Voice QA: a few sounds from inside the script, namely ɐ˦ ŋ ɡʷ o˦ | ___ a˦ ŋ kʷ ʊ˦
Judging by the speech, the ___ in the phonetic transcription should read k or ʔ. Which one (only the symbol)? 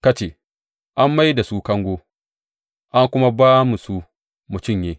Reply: ʔ